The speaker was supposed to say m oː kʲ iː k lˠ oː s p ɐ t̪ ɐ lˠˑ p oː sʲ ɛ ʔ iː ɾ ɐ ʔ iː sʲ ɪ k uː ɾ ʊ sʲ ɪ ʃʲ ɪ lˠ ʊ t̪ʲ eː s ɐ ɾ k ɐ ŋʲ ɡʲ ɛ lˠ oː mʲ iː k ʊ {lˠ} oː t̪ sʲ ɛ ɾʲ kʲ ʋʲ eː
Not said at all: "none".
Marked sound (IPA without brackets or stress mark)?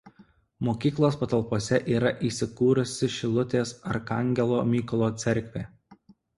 lˠ